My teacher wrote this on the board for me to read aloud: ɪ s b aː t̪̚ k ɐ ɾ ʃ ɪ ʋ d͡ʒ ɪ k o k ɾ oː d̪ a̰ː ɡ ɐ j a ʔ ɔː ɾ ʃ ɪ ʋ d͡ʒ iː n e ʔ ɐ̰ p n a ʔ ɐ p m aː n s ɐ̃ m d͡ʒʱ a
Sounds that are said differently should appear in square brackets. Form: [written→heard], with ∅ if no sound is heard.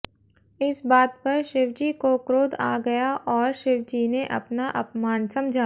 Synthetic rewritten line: ɪ s b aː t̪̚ [k→p] ɐ ɾ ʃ ɪ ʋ d͡ʒ [ɪ→i] k o k ɾ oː d̪ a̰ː ɡ ɐ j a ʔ ɔː ɾ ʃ ɪ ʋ d͡ʒ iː n e ʔ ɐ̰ p n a ʔ ɐ p m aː n s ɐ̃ m d͡ʒʱ a